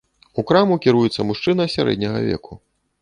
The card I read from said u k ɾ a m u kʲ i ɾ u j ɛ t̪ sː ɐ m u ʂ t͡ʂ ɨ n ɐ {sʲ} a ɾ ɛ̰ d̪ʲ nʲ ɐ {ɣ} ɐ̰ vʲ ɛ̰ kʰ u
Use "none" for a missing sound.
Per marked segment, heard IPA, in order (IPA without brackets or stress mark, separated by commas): sʲ, ɣ